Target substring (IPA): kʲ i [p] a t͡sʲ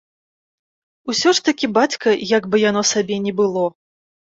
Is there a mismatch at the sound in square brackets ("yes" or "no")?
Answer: yes